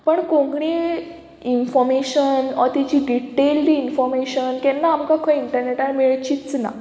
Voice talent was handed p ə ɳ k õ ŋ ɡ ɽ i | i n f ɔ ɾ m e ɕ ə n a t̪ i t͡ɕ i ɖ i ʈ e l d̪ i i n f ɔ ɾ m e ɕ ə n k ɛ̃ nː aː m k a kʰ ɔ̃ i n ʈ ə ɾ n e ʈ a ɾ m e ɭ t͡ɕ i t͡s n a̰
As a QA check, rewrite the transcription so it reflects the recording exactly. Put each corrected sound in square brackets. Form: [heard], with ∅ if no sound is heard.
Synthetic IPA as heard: p ə ɳ k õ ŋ ɡ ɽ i | i n f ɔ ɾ m e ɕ ə n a t̪ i t͡ɕ i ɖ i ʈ e l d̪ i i n f ɔ ɾ m e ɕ ə n k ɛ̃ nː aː m k a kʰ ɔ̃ i [ɳ] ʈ ə ɾ n e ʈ a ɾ m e ɭ t͡ɕ i t͡s n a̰